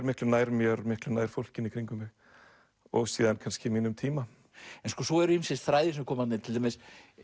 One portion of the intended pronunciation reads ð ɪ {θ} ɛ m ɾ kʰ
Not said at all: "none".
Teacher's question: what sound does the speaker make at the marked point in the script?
s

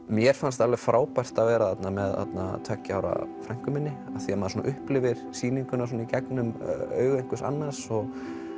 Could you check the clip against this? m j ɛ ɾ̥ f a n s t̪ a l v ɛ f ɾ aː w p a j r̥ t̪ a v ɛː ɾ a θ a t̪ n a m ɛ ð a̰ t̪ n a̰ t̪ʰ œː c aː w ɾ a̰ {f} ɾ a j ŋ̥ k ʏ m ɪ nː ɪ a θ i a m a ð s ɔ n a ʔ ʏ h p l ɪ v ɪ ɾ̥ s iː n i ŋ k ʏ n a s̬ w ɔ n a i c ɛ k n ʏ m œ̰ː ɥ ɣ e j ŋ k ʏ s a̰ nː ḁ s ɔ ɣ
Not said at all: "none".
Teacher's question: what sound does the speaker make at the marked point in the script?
f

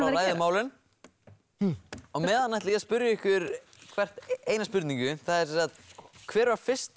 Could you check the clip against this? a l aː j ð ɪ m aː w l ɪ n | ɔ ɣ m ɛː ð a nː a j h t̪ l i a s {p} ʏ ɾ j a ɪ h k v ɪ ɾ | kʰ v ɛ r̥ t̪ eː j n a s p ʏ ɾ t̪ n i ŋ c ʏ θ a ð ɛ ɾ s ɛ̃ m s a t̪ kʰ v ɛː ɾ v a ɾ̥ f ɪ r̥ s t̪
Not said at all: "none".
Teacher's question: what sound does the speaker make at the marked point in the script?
p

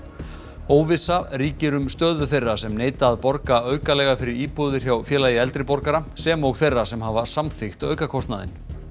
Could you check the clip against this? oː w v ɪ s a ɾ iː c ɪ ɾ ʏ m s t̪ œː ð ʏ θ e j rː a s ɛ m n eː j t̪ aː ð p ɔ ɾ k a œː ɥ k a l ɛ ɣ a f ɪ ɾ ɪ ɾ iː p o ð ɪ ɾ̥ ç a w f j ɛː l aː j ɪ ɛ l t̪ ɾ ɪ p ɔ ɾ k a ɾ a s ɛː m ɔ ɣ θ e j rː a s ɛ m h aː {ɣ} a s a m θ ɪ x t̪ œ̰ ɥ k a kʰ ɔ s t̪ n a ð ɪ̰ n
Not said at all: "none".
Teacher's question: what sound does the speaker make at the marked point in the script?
v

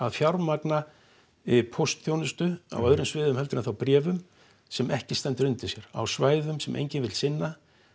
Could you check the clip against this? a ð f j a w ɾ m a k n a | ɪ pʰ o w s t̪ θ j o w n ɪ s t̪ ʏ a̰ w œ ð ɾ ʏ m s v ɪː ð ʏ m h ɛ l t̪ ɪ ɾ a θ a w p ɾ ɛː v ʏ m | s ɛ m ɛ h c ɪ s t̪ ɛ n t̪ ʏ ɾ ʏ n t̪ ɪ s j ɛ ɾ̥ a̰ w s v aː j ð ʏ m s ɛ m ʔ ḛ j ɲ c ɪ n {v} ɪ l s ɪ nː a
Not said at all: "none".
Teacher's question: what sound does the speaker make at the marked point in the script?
v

